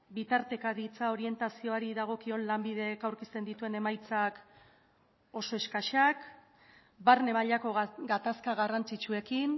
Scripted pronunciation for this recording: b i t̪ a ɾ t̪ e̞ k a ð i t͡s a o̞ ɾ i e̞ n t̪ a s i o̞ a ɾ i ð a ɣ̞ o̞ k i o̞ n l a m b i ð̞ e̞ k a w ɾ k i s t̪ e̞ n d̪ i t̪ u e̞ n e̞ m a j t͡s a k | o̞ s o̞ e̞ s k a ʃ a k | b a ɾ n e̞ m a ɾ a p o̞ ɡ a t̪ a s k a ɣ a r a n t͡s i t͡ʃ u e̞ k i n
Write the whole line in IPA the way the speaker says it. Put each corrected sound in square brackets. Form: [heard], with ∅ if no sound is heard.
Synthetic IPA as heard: b i t̪ a ɾ t̪ e̞ k a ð i t͡s a o̞ ɾ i e̞ n t̪ a s i o̞ a ɾ i ð a ɣ̞ o̞ k i o̞ n l a m b i ð̞ e̞ k a w ɾ k i s t̪ e̞ n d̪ i t̪ u e̞ n e̞ m a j t͡s a k | o̞ s o̞ e̞ s k a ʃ a k | b a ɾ n e̞ m a [ʎ] a [k] o̞ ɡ a t̪ a s k a ɣ a r a n t͡s i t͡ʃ u e̞ k i n

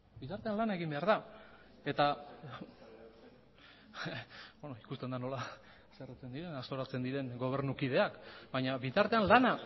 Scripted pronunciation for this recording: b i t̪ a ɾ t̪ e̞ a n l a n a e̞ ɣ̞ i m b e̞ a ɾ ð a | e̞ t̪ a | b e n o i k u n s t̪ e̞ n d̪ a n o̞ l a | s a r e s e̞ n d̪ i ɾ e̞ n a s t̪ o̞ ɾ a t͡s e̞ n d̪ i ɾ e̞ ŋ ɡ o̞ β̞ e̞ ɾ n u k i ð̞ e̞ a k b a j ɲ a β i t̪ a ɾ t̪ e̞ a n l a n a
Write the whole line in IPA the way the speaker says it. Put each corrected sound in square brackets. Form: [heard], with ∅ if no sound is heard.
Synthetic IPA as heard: b i t̪ a ɾ t̪ e̞ a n l a n a e̞ ɣ̞ i m b e̞ a ɾ ð a | e̞ t̪ a | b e n o i k u [∅] s t̪ e̞ n d̪ a n o̞ l a | s [e] r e [t͡s] e̞ n d̪ i ɾ e̞ n a s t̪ o̞ ɾ a t͡s e̞ n d̪ i ɾ e̞ ŋ ɡ o̞ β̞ e̞ ɾ n u k i ð̞ e̞ a k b a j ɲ a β i t̪ a ɾ t̪ e̞ a n l a n a

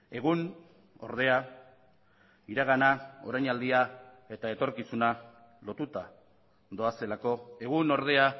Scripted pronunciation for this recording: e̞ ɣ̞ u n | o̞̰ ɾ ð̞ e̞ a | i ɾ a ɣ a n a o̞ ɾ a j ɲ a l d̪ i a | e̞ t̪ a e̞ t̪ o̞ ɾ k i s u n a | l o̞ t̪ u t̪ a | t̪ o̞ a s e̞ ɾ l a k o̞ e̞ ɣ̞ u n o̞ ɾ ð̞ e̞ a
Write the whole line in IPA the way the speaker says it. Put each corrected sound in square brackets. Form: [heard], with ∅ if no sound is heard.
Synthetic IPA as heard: e̞ ɣ̞ u n | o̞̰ ɾ ð̞ e̞ a | i ɾ a ɣ a n a o̞ ɾ a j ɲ a l d̪ i a | e̞ t̪ a e̞ t̪ o̞ ɾ k i s u n a | l o̞ t̪ u t̪ a | [d̪] o̞ a s e̞ [∅] l a k o̞ e̞ ɣ̞ u n o̞ ɾ ð̞ e̞ a

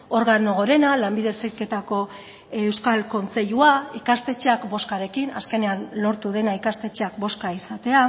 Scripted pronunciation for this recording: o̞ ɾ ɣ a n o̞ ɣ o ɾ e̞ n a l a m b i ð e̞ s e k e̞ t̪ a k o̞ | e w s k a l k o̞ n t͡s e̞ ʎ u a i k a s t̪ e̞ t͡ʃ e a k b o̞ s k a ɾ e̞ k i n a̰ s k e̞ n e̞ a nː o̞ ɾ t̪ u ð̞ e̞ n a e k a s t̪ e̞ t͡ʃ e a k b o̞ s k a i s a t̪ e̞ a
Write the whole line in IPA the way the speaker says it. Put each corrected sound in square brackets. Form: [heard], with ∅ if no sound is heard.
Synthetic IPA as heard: o̞ ɾ ɣ a n o̞ ɣ o ɾ e̞ n a l a m b i ð e̞ s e k e̞ t̪ a k o̞ | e w s k a l k o̞ n t͡s e̞ ʎ u a i k a s t̪ e̞ t͡ʃ e a k b o̞ s k a ɾ e̞ k i n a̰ s k e̞ n e̞ a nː o̞ ɾ t̪ u ð̞ e̞ n a [i] k a s t̪ e̞ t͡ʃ e a k b o̞ s k a i s a t̪ e̞ a

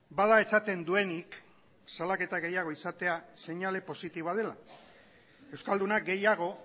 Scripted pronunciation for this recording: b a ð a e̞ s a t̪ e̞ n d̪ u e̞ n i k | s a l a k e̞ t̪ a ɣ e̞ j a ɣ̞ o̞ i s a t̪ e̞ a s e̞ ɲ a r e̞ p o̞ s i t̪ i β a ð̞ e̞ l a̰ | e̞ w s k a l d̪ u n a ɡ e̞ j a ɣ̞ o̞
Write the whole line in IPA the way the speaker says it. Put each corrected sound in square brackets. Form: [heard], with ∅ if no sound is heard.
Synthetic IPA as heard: b a ð a e̞ s a t̪ e̞ n d̪ u e̞ n i k | s a l a k e̞ t̪ a ɣ e̞ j a ɣ̞ o̞ i s a t̪ e̞ a s e̞ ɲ a [l] e̞ p o̞ s i t̪ i β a ð̞ e̞ l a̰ | e̞ w s k a l d̪ u n a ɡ e̞ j a ɣ̞ o̞

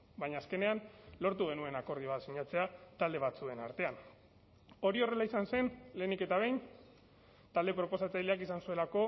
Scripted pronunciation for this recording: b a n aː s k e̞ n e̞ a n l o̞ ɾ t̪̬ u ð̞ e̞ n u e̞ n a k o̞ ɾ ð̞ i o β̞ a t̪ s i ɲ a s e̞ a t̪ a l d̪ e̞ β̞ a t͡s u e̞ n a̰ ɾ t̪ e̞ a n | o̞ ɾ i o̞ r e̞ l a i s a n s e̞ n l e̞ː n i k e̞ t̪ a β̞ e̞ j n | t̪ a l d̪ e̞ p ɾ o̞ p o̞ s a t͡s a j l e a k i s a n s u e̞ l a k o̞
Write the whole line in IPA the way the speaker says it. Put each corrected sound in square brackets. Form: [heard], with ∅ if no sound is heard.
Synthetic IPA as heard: b a [ɲ] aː s k e̞ n e̞ a n l o̞ ɾ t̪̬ u [ɣ̞] e̞ n u e̞ n a k o̞ ɾ ð̞ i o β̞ a t̪ s i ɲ a [t͡s] e̞ a t̪ a l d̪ e̞ β̞ a t͡s u e̞ n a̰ ɾ t̪ e̞ a n | o̞ ɾ i o̞ r e̞ l a i s a n s e̞ n l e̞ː n i k e̞ t̪ a β̞ e̞ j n | t̪ a l d̪ e̞ p ɾ o̞ p o̞ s a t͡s a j l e a k i s a n s u e̞ l a k o̞

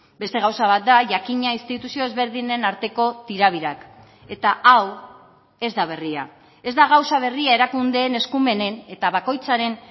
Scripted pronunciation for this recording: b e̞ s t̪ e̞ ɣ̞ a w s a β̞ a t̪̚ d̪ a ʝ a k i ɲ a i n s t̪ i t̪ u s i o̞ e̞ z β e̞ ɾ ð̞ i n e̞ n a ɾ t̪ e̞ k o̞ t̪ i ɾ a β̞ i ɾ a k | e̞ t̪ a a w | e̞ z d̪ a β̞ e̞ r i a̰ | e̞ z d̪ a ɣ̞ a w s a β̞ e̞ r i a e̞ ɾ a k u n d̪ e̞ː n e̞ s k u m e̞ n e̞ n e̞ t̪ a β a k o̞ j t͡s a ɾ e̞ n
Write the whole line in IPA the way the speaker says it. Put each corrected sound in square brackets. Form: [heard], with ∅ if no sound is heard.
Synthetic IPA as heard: b e̞ s t̪ e̞ ɣ̞ a w s a β̞ a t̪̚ d̪ a ʝ a k i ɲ a i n s t̪ i t̪ u s i o̞ e̞ z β e̞ ɾ ð̞ i n e̞ n a ɾ t̪ e̞ k o̞ t̪ i ɾ a β̞ i ɾ a k | e̞ t̪ a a w | e̞ z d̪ a β̞ e̞ r i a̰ | e̞ z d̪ a ɣ̞ a w s a β̞ e̞ r i a e̞ ɾ a k u n d̪ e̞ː n e̞ s k u m e̞ n e̞ n e̞ t̪ a β a k o̞ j t͡s a ɾ e̞ n

